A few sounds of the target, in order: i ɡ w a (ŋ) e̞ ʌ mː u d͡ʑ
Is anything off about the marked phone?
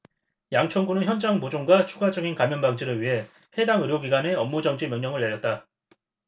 yes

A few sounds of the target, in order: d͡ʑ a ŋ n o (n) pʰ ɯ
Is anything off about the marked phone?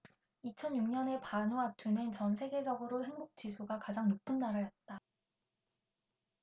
yes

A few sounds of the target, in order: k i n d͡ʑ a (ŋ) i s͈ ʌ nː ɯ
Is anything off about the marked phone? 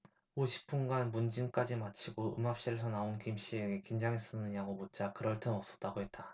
no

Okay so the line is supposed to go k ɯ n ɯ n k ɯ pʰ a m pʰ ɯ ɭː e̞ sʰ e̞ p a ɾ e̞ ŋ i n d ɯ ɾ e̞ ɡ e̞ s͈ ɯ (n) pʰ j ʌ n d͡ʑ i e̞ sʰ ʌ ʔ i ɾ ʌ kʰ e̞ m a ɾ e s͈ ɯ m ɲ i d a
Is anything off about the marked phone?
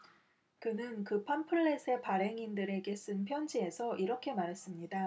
no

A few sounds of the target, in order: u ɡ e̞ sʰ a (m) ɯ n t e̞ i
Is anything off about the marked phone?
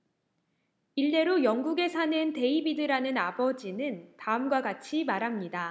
yes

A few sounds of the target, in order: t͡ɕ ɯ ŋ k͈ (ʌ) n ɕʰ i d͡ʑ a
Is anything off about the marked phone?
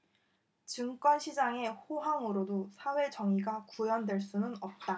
no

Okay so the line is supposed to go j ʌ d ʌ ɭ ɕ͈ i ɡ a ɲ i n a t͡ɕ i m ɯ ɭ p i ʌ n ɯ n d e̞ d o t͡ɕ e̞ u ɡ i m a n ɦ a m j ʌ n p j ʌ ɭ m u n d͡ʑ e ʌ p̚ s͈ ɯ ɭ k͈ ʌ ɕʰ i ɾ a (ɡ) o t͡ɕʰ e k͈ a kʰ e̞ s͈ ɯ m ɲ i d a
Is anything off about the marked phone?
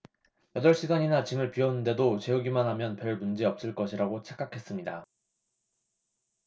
no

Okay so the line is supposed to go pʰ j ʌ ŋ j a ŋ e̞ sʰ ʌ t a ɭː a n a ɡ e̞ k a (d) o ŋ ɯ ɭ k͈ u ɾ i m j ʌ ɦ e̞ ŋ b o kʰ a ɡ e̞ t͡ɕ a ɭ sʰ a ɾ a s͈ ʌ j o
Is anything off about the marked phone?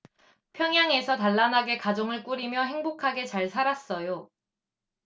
yes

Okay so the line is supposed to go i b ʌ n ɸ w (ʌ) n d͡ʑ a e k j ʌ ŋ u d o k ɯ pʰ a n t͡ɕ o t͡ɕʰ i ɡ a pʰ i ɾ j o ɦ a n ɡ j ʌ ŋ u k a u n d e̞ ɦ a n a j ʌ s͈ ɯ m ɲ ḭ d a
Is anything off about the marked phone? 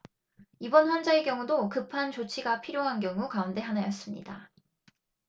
no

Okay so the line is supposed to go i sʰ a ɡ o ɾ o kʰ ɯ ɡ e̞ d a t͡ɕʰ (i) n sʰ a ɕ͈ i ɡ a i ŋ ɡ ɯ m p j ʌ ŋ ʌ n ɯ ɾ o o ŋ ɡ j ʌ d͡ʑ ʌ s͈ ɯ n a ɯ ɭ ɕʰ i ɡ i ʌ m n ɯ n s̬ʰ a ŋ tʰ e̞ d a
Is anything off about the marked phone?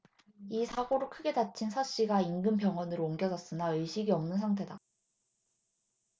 no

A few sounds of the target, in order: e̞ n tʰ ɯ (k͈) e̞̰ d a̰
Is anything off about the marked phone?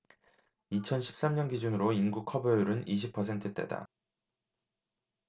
yes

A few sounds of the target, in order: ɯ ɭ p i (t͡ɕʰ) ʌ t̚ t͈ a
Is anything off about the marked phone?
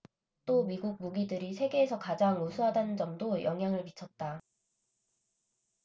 no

